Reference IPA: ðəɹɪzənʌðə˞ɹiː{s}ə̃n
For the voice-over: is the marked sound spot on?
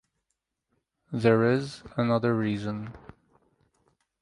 no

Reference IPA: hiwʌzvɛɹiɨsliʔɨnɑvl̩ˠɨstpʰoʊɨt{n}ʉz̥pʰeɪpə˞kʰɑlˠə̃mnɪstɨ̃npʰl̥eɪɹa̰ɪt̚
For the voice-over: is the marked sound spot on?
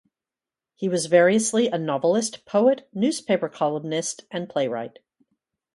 yes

